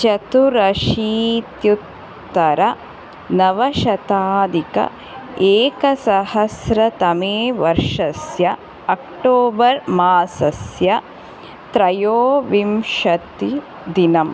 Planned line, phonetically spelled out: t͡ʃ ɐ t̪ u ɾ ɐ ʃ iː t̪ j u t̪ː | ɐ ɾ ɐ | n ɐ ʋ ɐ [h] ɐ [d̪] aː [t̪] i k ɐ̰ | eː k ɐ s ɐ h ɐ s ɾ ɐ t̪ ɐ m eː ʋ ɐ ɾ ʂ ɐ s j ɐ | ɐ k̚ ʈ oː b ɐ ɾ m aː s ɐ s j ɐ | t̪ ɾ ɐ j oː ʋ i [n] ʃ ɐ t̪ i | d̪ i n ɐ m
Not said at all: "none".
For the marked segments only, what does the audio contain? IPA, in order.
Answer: ʃ, t̪, d̪, m

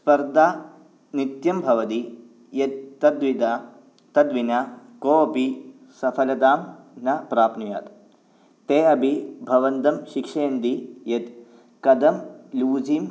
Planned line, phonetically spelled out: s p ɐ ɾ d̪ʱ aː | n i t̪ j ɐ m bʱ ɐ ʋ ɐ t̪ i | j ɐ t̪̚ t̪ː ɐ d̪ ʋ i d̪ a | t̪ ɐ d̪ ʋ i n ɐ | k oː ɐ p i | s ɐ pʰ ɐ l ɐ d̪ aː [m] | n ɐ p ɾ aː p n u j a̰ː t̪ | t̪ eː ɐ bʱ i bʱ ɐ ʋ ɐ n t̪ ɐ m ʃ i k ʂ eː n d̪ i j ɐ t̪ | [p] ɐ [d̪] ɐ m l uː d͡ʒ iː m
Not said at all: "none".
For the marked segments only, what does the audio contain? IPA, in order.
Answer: m, k, d̪

